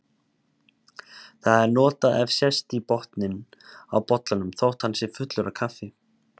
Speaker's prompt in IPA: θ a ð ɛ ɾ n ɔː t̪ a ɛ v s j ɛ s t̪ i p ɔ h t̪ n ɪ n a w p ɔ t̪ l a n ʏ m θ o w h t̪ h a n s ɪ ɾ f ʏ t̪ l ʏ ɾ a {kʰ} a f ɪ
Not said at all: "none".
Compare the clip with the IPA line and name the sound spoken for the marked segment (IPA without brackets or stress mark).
kʰ